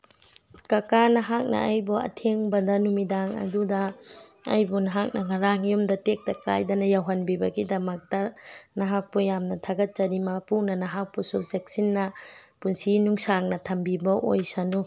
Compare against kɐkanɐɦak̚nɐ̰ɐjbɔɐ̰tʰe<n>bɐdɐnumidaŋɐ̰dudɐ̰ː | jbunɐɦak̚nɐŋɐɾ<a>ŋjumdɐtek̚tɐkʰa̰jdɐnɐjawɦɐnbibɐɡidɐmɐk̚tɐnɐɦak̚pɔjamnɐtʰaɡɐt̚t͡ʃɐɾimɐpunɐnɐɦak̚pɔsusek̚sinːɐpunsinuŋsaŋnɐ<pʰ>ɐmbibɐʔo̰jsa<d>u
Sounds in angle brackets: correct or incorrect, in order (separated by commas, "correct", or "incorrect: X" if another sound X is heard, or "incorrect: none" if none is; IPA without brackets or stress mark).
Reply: incorrect: ŋ, correct, incorrect: tʰ, incorrect: n